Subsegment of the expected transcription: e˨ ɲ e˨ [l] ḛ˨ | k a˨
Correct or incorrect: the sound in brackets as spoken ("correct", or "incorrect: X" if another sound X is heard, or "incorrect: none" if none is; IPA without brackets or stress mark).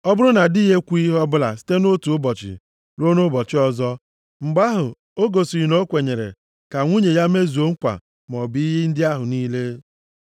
incorrect: ɾ